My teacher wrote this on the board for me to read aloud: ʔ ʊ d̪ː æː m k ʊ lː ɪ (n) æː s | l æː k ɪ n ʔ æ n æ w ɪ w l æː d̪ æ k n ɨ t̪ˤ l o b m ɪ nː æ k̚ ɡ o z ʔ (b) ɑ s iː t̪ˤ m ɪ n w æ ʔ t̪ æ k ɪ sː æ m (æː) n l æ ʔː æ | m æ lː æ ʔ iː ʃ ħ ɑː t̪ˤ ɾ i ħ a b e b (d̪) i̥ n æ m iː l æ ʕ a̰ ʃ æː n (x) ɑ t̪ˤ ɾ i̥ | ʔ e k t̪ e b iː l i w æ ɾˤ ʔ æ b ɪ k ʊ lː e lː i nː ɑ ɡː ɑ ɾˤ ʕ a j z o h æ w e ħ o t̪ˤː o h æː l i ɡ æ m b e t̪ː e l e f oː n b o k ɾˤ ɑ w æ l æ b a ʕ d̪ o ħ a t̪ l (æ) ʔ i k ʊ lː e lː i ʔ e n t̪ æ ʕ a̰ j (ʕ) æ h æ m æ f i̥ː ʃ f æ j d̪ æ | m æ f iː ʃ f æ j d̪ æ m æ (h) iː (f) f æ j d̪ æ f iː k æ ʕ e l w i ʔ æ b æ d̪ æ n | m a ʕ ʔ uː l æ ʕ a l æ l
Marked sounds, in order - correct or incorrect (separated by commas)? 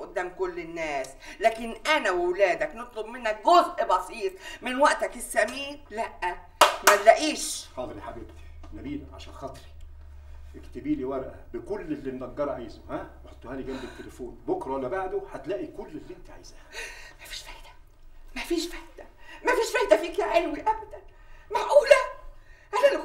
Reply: incorrect, correct, incorrect, incorrect, correct, incorrect, incorrect, incorrect, incorrect